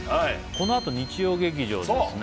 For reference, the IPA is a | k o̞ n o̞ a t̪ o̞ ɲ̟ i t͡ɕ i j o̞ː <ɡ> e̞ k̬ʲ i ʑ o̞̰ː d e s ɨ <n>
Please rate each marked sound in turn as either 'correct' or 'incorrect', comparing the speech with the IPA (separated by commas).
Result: correct, correct